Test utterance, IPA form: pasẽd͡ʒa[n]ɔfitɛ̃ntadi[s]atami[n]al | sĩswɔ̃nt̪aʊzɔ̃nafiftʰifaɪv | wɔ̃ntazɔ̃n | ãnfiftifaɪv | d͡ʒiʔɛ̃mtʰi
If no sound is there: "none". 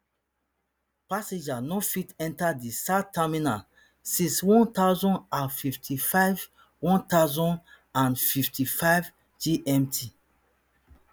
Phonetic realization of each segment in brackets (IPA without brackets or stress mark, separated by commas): n, s, n